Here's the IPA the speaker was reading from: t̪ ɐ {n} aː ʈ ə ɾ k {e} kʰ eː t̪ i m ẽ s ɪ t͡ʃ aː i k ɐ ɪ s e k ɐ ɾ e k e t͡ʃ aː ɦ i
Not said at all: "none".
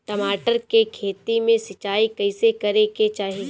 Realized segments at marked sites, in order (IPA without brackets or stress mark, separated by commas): m, e